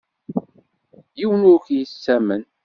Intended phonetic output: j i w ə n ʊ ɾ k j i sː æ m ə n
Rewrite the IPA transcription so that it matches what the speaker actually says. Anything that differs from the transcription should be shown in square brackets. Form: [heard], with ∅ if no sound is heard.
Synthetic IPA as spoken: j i w ə n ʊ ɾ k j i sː æ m ə n